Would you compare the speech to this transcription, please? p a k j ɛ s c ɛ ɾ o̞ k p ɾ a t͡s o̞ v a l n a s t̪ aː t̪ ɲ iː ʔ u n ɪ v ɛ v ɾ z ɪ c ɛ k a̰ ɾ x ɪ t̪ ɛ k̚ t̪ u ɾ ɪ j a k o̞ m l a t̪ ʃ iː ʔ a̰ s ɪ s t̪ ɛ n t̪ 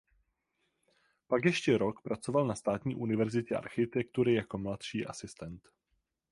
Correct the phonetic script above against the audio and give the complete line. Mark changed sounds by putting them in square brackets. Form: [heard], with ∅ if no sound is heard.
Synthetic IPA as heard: p a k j ɛ [ʃ] c ɛ ɾ o̞ k p ɾ a t͡s o̞ v a l n a s t̪ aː t̪ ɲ iː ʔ u n ɪ v ɛ [∅] ɾ z ɪ c ɛ [ʔ] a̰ ɾ x ɪ t̪ ɛ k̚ t̪ u ɾ ɪ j a k o̞ m l a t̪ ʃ iː ʔ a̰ s ɪ s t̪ ɛ n t̪

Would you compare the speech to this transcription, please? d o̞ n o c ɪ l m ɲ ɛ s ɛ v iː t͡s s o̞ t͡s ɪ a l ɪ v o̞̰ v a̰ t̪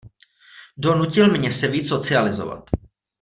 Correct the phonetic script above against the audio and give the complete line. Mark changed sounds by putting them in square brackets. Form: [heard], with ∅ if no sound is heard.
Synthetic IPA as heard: d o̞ n [u] c ɪ l m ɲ ɛ s ɛ v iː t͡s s o̞ t͡s ɪ a l ɪ [z] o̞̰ v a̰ t̪

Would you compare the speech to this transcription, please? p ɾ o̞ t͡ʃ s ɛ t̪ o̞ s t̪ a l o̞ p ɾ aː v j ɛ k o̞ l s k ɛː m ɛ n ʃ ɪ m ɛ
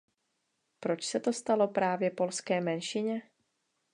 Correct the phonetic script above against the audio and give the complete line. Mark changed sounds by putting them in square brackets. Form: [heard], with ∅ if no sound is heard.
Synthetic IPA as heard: p ɾ o̞ t͡ʃ s ɛ t̪ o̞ s t̪ a l o̞ p ɾ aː v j ɛ [p] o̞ l s k ɛː m ɛ n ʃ ɪ [ɲ] ɛ

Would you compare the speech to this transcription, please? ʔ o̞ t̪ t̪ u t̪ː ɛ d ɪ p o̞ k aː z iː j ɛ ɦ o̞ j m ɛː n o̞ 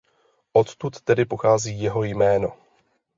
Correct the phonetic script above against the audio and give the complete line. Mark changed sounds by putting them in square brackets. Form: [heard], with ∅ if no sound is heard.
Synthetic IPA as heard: ʔ o̞ t̪ t̪ u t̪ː ɛ d ɪ p o̞ [x] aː z iː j ɛ ɦ o̞ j m ɛː n o̞

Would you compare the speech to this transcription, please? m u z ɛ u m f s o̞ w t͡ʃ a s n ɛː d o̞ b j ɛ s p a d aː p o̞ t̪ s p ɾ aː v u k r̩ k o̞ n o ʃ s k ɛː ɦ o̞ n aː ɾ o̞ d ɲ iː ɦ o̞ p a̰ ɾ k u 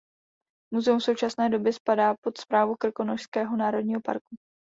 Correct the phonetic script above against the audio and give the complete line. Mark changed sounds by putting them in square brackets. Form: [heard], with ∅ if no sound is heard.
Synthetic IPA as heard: m u z ɛ u m f s o̞ w t͡ʃ a s n ɛː d o̞ b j ɛ s p a d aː p o̞ t̪ s p ɾ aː v u k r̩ k o̞ n o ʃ s k ɛː ɦ o̞ n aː ɾ o̞ d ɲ iː ɦ o̞ p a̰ ɾ k u

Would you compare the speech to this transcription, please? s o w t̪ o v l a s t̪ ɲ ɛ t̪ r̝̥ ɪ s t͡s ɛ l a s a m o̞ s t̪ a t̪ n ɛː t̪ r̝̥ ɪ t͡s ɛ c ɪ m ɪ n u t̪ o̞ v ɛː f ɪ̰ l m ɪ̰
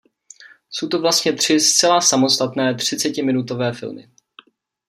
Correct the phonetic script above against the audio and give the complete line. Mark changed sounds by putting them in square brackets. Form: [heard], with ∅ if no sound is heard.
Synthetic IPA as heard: s o w t̪ o v l a s t̪ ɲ ɛ t̪ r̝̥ ɪ s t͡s ɛ l a s a m o̞ s t̪ a t̪ n ɛː t̪ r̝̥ ɪ t͡s ɛ c ɪ m ɪ n u t̪ o̞ v ɛː f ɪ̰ l m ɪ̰

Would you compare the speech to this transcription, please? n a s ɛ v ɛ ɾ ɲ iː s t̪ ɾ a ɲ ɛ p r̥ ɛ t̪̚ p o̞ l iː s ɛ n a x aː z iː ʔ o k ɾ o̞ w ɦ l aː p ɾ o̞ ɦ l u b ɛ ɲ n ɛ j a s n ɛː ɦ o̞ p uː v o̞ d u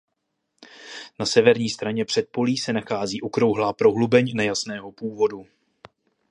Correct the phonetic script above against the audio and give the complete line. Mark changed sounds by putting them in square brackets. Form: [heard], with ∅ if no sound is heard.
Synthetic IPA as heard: n a s ɛ v ɛ ɾ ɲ iː s t̪ ɾ a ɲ ɛ p r̥ ɛ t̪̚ p o̞ l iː s ɛ n a x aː z iː ʔ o k ɾ o̞ w ɦ l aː p ɾ o̞ ɦ l u b ɛ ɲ n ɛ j a s n ɛː ɦ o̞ p uː v o̞ d u

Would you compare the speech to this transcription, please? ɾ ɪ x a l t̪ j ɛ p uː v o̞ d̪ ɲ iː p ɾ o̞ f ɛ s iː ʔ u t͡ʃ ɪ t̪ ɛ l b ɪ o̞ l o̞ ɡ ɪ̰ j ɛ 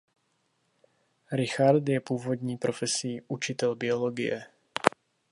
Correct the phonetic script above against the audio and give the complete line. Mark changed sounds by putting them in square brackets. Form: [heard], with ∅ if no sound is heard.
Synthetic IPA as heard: ɾ ɪ x a [ɾ] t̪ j ɛ p uː v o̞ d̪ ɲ iː p ɾ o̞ f ɛ s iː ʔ u t͡ʃ ɪ t̪ ɛ l b ɪ o̞ l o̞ ɡ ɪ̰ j ɛ

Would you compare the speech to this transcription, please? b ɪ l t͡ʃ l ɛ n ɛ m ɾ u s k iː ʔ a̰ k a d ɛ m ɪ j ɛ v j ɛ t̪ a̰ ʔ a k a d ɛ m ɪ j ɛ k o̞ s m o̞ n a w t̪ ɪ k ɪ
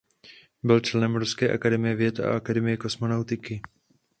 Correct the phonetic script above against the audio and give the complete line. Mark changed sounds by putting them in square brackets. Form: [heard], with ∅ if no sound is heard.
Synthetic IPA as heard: b ɪ l t͡ʃ l ɛ n ɛ m ɾ u s k [ɛː] ʔ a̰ k a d ɛ m ɪ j ɛ v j ɛ t̪ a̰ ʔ a k a d ɛ m ɪ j ɛ k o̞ s m o̞ n a w t̪ ɪ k ɪ

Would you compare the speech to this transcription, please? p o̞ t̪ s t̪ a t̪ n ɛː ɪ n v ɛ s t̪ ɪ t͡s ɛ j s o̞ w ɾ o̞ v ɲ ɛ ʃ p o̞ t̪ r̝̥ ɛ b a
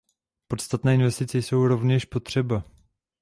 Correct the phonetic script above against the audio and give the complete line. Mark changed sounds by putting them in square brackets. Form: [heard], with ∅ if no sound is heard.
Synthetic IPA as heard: p o̞ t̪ s t̪ a t̪ n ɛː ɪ n v ɛ s t̪ ɪ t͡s ɛ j s o̞ w ɾ o̞ v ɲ ɛ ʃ p o̞ t̪ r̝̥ ɛ b a

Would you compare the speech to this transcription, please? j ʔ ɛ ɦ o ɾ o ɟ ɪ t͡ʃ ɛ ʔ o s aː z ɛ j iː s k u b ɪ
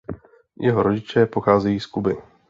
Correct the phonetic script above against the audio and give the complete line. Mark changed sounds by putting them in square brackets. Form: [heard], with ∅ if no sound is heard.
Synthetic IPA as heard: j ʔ ɛ ɦ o ɾ o ɟ ɪ t͡ʃ ɛ [p] o [x] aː z ɛ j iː s k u b ɪ

